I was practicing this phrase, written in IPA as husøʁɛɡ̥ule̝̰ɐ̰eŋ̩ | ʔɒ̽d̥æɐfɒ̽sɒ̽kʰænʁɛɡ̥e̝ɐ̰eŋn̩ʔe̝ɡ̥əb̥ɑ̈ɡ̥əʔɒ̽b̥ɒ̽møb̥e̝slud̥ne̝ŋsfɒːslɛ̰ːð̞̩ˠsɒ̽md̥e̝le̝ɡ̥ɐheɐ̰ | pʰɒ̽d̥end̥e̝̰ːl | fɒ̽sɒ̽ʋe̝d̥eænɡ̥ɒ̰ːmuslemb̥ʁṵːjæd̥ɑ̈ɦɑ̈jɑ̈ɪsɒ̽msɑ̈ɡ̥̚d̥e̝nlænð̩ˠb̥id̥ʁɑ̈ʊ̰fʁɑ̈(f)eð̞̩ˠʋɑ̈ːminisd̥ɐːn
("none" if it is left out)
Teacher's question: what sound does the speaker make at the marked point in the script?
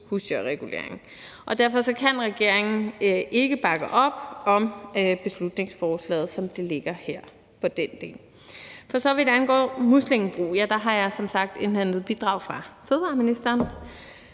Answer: f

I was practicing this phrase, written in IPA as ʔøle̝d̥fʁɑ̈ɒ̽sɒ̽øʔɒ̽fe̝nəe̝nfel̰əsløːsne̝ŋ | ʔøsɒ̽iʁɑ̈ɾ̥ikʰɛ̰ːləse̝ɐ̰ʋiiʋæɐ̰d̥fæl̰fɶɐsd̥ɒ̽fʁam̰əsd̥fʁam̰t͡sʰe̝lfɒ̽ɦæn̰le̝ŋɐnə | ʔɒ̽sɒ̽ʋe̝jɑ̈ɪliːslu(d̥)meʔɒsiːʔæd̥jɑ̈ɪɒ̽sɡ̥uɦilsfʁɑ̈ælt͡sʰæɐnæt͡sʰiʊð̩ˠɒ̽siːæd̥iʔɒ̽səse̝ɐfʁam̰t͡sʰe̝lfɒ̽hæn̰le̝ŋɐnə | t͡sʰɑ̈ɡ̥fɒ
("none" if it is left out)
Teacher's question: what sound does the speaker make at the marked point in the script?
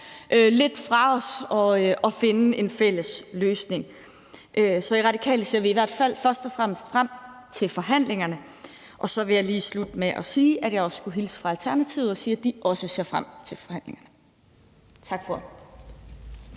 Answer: d̥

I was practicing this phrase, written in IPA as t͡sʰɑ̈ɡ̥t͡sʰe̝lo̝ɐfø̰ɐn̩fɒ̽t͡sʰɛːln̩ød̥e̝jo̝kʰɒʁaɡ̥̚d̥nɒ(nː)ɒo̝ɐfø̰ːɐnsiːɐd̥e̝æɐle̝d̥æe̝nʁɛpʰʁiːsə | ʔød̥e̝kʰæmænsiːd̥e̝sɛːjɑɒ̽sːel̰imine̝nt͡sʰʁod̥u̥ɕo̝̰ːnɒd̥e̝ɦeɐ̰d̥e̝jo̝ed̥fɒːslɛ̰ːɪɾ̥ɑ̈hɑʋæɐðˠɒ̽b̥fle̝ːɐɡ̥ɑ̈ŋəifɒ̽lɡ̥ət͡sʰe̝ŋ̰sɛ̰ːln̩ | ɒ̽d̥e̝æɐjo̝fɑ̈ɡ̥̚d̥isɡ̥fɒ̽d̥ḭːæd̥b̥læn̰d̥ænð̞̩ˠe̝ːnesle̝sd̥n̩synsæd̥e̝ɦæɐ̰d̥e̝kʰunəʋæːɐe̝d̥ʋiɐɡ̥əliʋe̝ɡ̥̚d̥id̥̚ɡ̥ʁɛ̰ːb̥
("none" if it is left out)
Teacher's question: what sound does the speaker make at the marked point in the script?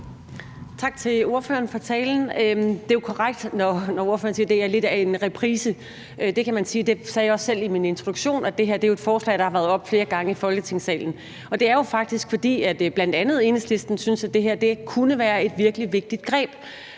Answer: n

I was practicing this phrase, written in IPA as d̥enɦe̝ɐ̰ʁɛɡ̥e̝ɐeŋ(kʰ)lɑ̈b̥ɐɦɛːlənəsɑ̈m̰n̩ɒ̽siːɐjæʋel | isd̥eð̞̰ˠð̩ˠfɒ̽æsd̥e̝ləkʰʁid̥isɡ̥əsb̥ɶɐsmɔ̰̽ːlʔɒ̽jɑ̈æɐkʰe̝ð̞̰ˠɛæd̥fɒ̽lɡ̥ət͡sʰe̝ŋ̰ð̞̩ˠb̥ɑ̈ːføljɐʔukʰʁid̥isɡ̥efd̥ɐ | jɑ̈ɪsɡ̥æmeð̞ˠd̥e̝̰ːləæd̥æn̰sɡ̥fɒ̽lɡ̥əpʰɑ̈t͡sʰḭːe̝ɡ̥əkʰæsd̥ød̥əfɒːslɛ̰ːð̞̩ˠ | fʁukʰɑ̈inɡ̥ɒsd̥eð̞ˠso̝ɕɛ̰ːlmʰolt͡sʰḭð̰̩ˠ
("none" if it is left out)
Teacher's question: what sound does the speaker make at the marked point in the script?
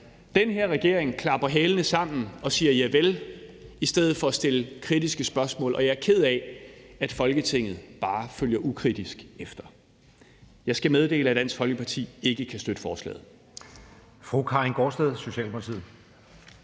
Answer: kʰ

